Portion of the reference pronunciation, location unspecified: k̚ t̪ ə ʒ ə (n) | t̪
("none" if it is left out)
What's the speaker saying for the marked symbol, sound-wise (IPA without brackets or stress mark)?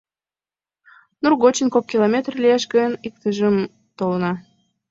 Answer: m